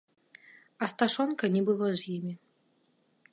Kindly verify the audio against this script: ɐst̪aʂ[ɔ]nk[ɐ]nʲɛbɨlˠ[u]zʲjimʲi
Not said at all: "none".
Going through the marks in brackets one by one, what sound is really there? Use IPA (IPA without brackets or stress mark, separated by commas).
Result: ɔ, ɐ, ɔ